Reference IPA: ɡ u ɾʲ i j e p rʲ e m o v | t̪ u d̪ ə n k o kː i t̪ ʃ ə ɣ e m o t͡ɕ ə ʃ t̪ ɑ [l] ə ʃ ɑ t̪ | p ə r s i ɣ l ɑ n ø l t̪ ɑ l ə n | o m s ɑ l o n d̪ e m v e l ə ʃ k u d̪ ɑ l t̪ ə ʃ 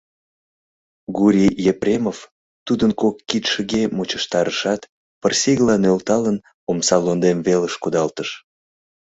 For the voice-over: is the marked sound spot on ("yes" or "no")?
no